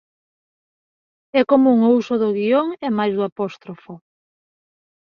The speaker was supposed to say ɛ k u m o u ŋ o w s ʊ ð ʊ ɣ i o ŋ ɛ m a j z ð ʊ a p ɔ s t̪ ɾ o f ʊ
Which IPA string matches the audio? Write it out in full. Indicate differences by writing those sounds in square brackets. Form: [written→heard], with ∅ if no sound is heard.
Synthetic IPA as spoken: ɛ k [u→o] m [o→u] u ŋ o [w→u] s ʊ ð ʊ ɣ i o ŋ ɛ m a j z ð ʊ a p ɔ s t̪ ɾ o f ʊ